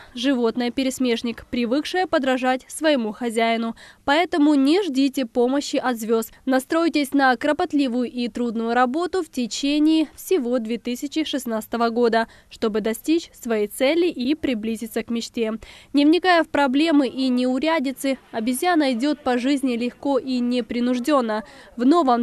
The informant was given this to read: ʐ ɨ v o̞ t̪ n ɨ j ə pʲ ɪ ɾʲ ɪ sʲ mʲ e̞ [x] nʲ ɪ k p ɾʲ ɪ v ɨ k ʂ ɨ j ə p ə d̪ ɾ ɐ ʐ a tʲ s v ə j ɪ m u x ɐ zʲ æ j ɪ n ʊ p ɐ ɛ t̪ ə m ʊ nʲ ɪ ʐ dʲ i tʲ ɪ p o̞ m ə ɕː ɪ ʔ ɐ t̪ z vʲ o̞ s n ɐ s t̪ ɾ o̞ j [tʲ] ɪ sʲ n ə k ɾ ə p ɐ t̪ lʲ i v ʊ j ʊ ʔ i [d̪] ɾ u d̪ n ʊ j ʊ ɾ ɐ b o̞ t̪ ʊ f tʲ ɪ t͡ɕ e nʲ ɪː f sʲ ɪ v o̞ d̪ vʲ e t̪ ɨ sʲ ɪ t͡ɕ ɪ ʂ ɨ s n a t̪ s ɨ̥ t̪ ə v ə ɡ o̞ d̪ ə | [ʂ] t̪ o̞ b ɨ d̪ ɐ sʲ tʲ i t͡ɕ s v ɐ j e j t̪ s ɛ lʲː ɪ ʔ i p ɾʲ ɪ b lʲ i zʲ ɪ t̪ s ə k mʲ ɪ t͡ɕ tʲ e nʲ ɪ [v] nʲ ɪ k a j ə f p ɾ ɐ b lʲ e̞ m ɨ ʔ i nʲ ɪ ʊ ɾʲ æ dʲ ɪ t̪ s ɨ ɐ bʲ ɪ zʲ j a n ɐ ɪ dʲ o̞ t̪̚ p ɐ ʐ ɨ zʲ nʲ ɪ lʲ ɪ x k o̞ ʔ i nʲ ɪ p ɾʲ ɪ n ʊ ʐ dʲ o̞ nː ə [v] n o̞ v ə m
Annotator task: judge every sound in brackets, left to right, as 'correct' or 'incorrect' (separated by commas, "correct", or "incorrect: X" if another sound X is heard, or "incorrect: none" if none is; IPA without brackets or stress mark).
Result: incorrect: ʂ, correct, incorrect: t̪, correct, correct, correct